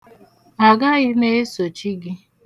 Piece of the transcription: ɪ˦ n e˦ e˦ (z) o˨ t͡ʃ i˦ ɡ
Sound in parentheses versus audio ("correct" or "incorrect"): incorrect